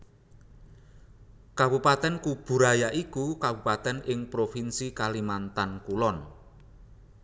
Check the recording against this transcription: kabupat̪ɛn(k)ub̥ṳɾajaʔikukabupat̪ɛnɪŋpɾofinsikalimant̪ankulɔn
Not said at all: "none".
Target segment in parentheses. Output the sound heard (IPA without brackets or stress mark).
k